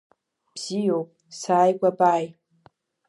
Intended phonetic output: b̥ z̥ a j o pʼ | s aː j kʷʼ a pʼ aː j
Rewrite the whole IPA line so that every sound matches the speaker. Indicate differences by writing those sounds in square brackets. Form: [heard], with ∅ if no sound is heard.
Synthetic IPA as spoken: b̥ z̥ [i] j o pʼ | s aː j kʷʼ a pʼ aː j